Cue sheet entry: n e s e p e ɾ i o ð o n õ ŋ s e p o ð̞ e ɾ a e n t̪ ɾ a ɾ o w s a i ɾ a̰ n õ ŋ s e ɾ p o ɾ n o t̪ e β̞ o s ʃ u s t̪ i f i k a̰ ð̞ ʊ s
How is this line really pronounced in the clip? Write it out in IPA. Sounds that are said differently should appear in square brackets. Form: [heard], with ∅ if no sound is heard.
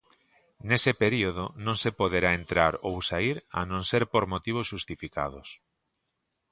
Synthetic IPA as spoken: n e s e p e ɾ i o ð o n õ ŋ s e p o ð̞ e ɾ a e n t̪ ɾ a ɾ o w s a i ɾ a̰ n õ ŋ s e ɾ p o ɾ [m] o t̪ [i] β̞ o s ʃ u s t̪ i f i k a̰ ð̞ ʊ s